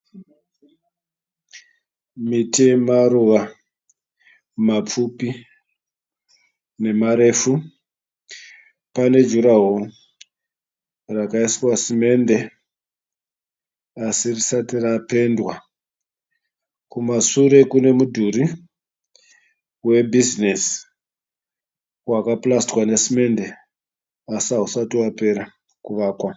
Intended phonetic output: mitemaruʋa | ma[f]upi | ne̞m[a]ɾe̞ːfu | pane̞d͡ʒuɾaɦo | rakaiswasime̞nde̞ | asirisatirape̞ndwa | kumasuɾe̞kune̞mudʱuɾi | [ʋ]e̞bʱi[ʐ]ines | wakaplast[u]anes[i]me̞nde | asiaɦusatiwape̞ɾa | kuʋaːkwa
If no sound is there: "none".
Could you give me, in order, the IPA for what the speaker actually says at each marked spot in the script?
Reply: p͡f, a, w, z, w, i

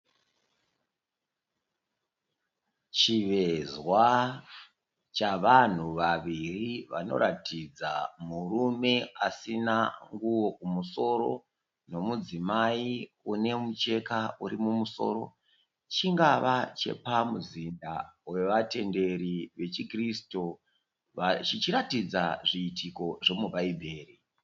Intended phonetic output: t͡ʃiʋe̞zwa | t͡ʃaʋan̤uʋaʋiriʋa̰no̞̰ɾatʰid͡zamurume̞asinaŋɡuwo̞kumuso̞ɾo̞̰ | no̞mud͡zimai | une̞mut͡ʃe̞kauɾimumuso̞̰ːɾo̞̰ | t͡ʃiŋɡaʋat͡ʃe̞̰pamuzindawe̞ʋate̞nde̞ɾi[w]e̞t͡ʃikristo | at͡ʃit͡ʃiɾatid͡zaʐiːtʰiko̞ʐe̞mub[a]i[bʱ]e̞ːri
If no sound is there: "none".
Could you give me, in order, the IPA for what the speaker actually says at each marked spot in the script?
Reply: ʋ, a, bʱ

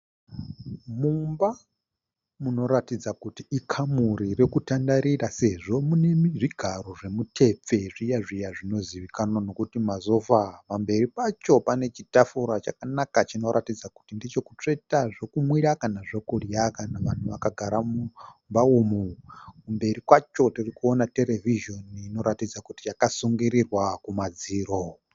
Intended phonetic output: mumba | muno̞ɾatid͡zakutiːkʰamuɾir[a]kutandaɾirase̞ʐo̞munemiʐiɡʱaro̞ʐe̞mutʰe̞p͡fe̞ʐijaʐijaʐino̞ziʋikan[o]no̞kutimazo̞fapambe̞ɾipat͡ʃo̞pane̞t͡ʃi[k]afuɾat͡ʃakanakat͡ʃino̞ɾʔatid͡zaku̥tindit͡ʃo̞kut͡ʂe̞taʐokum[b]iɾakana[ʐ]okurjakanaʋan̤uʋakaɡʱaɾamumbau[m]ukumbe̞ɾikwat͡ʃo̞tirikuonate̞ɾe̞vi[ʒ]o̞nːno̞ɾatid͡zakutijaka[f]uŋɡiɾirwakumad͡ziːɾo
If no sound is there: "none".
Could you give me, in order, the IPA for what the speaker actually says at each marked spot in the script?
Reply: e, o, t, w, ʐ, m, ʒ, s

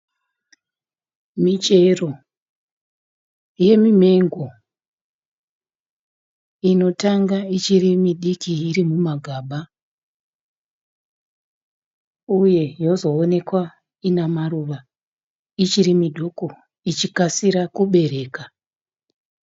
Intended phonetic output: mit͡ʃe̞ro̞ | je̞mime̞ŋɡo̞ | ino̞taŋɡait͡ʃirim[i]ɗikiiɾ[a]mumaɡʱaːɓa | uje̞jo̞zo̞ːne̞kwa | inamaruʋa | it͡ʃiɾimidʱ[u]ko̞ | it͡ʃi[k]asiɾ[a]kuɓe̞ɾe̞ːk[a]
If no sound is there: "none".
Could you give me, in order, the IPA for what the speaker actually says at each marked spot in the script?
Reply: i, i, o, k, a, a

